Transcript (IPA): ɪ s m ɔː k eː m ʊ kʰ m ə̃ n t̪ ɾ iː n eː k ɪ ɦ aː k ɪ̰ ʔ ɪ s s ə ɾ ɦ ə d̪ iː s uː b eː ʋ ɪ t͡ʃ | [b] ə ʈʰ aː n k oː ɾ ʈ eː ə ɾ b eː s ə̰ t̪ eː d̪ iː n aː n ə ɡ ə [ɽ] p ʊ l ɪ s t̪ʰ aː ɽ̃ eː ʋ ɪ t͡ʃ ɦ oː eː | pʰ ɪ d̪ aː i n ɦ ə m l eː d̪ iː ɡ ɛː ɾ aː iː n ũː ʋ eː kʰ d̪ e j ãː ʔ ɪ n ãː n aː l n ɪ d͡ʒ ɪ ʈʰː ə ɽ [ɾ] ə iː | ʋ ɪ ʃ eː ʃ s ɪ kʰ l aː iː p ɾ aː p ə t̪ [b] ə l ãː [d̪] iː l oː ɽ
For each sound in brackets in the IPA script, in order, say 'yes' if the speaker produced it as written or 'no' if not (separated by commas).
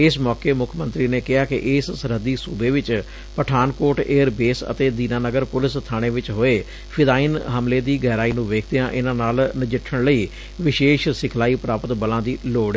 no, no, no, yes, yes